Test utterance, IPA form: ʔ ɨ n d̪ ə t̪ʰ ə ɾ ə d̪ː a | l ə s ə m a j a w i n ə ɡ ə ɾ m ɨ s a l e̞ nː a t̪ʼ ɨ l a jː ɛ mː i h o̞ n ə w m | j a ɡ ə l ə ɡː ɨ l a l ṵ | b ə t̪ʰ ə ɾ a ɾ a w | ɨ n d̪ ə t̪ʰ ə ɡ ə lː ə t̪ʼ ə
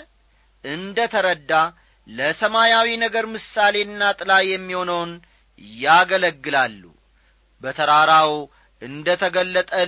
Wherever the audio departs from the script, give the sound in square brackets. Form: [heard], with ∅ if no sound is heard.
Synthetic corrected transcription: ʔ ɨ n d̪ ə t̪ʰ ə ɾ ə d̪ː a | l ə s ə m a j a w i n ə ɡ ə ɾ m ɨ s a l e̞ nː a t̪ʼ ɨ l a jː ɛ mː i h o̞ n ə w [n] | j a ɡ ə l ə ɡː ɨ l a [lː] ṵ | b ə t̪ʰ ə ɾ a ɾ a w | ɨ n d̪ ə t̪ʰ ə ɡ ə lː ə t̪ʼ ə